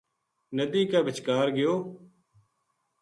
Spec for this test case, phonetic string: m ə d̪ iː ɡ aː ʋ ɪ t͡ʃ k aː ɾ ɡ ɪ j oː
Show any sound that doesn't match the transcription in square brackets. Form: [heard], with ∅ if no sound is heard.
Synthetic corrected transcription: [n] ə d̪ iː [k] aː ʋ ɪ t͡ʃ k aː ɾ ɡ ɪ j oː